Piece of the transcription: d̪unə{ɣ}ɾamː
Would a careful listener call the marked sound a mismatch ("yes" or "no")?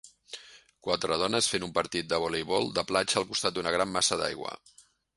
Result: no